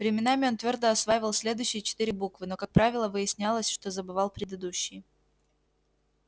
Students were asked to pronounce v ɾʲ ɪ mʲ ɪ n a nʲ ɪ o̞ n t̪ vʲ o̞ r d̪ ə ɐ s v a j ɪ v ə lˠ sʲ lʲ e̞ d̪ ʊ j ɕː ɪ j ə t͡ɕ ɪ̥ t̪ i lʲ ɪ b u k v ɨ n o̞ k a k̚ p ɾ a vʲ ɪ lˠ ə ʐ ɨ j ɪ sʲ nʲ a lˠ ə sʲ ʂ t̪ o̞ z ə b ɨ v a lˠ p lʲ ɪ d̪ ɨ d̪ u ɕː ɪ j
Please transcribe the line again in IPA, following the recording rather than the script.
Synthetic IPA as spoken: v ɾʲ ɪ mʲ ɪ n a mʲ ɪ o̞ n t̪ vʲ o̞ r d̪ ə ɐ s v a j ɪ v ə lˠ sʲ lʲ e̞ d̪ ʊ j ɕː ɪ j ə t͡ɕ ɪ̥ t̪ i ɾʲ ɪ b u k v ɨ n o̞ k a k̚ p ɾ a vʲ ɪ lˠ ə v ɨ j ɪ sʲ nʲ a lˠ ə sʲ ʂ t̪ o̞ z ə b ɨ v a lˠ p ɾʲ ɪ d̪ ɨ d̪ u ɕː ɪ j